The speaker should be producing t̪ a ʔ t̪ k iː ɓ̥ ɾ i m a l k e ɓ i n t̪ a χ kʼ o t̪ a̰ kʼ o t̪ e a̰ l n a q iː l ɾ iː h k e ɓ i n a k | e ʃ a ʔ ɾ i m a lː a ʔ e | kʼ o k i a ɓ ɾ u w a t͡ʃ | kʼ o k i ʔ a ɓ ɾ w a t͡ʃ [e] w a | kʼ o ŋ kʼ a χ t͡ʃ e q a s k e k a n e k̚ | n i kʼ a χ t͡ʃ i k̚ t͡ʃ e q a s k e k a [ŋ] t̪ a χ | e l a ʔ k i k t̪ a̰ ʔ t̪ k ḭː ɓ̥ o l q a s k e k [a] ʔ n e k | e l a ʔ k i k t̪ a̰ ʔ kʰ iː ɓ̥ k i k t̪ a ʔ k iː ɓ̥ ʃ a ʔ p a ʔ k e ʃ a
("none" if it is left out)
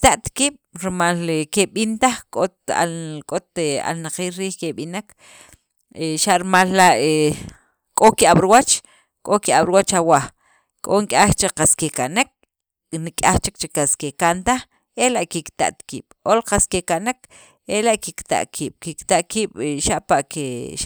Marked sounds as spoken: a, n, a

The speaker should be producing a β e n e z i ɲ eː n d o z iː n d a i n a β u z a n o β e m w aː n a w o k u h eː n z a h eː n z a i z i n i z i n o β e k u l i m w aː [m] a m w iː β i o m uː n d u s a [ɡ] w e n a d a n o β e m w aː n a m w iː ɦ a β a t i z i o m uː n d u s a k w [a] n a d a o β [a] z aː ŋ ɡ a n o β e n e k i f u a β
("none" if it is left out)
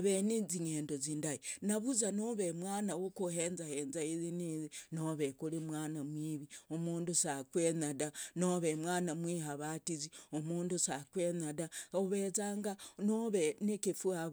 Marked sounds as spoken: n, k, e, e

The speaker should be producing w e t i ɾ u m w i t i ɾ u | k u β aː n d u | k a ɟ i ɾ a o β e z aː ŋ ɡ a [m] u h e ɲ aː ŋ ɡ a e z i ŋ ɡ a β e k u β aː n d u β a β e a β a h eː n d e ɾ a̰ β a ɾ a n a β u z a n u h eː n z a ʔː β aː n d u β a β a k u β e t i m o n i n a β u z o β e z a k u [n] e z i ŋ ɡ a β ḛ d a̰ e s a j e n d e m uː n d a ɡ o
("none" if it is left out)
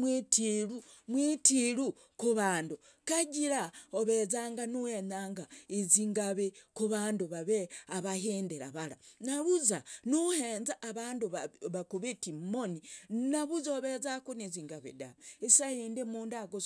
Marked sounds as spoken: n, n

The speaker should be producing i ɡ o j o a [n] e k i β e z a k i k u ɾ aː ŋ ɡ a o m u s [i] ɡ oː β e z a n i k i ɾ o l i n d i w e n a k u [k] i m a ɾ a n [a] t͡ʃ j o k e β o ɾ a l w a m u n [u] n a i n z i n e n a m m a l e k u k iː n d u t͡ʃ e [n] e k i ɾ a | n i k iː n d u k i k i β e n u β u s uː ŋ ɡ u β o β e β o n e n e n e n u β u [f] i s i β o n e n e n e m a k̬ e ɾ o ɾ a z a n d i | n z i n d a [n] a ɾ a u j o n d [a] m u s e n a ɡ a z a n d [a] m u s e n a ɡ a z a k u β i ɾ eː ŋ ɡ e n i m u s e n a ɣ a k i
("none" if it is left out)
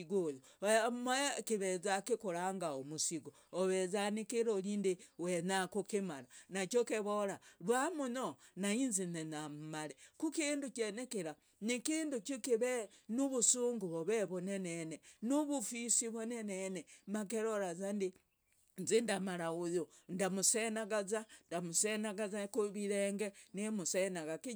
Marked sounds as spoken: m, i, k, a, o, n, f, m, a, a

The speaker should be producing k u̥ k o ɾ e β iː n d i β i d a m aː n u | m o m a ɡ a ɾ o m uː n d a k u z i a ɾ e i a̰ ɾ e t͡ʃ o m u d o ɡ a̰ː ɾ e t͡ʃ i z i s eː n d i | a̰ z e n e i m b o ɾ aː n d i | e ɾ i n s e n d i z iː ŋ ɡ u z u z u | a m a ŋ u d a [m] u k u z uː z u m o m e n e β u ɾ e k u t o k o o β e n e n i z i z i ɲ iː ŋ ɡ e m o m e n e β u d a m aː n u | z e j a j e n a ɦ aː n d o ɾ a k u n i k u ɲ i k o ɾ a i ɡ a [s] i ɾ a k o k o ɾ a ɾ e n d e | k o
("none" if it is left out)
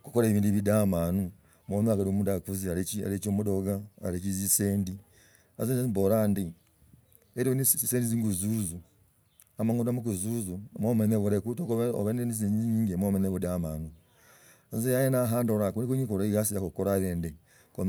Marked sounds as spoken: m, s

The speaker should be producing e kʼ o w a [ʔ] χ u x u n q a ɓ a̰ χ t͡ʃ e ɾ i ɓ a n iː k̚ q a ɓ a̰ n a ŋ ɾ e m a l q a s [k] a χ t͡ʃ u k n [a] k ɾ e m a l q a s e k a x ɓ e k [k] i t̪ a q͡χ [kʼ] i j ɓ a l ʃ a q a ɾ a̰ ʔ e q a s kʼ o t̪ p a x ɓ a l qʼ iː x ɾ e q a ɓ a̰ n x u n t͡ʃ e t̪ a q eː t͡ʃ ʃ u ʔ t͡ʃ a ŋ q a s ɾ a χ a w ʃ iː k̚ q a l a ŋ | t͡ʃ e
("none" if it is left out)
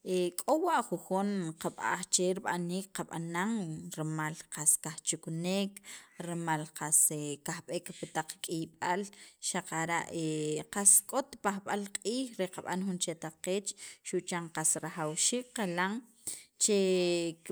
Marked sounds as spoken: ʔ, k, e, p, kʼ

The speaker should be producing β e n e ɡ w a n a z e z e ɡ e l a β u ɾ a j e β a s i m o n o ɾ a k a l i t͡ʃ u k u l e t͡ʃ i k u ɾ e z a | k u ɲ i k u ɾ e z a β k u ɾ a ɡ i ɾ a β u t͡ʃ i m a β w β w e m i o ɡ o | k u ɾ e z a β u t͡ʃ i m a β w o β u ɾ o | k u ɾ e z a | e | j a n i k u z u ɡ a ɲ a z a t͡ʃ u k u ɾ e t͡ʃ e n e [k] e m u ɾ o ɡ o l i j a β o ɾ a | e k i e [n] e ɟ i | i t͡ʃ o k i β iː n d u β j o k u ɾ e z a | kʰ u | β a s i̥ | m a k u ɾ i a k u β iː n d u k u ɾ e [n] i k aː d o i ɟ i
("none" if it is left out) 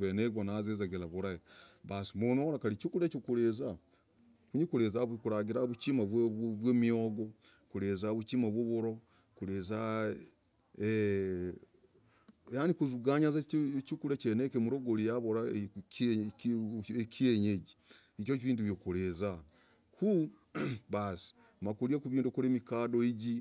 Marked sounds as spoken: k, ɲ, m

